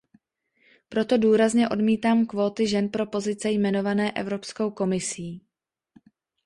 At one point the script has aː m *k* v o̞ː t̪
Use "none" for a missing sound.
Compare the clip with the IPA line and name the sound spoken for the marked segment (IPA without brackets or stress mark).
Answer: k